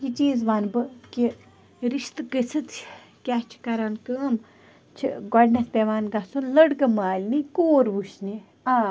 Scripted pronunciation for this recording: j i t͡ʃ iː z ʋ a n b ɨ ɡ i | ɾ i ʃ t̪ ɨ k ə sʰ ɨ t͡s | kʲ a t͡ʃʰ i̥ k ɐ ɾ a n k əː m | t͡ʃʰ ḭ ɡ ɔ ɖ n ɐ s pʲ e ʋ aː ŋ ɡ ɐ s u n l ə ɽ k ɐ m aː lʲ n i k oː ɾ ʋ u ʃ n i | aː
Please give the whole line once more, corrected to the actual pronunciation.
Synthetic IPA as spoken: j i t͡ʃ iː z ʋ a n b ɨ k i | ɾ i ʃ t̪ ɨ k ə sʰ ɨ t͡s | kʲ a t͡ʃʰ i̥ k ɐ ɾ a n k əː m | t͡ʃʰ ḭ ɡ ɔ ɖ n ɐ s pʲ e ʋ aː n ɡ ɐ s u n l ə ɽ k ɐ m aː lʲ n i k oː ɾ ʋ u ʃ n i | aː